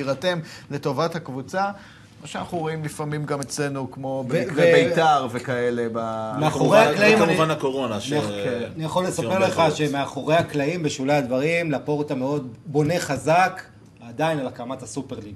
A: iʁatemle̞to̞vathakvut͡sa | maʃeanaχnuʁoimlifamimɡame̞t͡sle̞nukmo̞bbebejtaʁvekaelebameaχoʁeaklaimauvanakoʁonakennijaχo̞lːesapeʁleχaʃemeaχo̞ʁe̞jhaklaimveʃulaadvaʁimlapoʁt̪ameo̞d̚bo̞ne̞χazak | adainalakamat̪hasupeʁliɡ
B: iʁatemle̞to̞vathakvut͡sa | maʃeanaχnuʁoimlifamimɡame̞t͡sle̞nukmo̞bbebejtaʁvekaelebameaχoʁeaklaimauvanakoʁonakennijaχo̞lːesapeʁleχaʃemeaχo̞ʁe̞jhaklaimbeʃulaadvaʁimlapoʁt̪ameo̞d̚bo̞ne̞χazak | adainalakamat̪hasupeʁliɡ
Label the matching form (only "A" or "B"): B